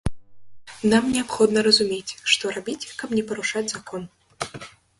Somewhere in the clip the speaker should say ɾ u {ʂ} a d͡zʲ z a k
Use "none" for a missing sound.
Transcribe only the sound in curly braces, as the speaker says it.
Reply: ʂ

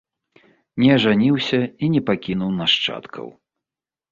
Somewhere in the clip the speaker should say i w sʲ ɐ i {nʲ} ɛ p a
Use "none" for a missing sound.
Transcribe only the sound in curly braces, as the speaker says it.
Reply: nʲ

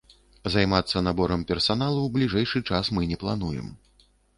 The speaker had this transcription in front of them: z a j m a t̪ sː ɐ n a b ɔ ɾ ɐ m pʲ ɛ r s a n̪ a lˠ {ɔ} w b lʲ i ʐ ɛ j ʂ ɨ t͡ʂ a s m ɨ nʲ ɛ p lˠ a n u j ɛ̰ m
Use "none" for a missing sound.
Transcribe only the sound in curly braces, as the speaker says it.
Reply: u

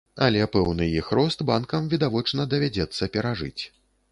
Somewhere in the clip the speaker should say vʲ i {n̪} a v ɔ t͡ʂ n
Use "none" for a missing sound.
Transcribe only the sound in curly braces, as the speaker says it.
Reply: d̪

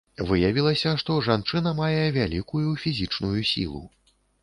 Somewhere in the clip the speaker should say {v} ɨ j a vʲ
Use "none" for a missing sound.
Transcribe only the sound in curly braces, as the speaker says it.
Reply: v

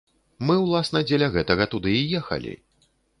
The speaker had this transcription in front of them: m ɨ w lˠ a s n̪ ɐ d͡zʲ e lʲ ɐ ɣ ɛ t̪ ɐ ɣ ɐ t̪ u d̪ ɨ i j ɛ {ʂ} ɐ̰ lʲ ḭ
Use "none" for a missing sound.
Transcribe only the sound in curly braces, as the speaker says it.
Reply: x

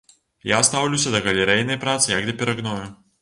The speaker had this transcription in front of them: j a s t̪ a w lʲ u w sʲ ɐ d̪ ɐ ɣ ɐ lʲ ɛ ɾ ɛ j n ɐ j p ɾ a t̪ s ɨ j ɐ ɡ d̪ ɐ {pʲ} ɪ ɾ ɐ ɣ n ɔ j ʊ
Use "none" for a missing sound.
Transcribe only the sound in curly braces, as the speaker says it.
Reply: pʲ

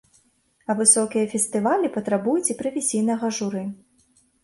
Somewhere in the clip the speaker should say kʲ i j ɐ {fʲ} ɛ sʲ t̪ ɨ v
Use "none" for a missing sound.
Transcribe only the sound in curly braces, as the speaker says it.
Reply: fʲ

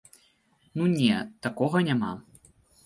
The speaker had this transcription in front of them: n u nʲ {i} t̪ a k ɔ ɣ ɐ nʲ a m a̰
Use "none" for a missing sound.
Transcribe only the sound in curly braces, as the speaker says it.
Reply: ɛ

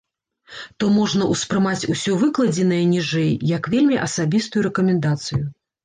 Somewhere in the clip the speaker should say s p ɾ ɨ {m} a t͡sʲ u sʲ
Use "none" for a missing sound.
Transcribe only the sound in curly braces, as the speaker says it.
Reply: m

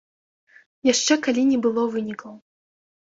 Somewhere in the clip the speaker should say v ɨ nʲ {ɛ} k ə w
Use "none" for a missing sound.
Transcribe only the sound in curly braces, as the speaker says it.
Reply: i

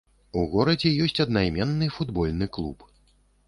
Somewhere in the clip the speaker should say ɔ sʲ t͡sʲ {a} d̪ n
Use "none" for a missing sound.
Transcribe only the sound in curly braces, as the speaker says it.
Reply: ɐ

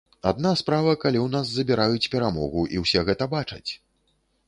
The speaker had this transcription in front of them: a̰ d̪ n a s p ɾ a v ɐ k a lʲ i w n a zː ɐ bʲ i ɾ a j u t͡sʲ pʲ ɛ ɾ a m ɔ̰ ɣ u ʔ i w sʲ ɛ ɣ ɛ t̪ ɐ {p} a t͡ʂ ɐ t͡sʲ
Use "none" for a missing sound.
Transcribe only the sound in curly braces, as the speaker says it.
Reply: b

